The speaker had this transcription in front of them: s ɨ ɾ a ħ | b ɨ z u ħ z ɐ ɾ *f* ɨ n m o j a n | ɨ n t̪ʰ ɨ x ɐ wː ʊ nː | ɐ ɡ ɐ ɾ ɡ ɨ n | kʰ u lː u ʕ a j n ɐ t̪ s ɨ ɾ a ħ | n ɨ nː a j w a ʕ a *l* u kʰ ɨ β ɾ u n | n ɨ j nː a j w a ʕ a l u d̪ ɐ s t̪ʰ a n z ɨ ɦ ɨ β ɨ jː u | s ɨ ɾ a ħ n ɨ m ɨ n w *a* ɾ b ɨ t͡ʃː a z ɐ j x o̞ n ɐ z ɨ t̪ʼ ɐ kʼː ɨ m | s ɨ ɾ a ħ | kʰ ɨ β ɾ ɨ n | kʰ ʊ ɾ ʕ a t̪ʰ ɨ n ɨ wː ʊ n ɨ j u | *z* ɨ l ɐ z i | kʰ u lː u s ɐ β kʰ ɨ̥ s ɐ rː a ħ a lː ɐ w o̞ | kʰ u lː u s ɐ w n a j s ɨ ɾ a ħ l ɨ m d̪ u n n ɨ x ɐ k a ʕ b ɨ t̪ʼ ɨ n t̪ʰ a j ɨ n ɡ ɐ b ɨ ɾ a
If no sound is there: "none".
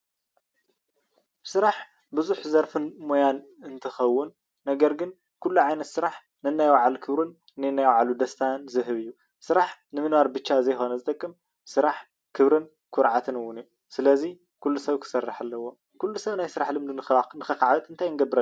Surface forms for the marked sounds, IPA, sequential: f, l, a, s

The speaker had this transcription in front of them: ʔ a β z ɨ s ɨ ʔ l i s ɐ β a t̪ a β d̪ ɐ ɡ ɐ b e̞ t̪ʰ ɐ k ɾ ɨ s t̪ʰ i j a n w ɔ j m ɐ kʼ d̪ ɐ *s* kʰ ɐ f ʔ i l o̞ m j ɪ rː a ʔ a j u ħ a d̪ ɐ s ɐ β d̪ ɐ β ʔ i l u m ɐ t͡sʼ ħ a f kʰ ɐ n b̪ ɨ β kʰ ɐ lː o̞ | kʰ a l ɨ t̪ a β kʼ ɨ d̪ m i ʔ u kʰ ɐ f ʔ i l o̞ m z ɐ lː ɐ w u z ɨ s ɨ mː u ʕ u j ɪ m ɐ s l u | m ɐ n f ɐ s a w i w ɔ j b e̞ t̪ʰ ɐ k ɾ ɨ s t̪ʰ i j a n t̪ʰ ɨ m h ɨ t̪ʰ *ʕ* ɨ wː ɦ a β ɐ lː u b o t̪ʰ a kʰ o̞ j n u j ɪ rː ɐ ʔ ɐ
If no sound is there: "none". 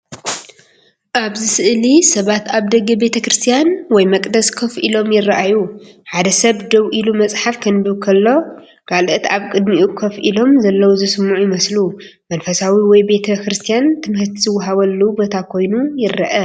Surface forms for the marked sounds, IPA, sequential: s, z

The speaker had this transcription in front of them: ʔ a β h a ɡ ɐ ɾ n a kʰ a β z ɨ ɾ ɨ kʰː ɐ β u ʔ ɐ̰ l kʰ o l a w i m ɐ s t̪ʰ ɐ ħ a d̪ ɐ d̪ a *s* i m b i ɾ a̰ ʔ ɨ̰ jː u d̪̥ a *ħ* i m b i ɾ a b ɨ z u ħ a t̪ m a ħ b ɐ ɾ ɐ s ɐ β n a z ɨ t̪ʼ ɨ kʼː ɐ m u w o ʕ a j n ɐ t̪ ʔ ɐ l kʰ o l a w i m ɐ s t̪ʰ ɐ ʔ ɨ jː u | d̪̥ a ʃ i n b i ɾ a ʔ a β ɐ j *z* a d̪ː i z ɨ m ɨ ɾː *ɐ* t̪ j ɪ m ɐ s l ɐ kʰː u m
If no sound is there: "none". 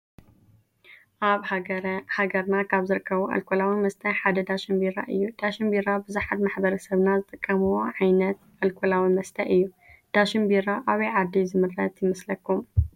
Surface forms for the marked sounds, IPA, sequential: ʃ, ʃ, ʕ, ɐ

